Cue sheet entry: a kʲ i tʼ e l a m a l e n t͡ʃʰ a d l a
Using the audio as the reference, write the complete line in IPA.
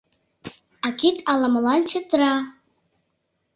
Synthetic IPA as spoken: a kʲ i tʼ a l a m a l a n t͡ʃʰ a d r a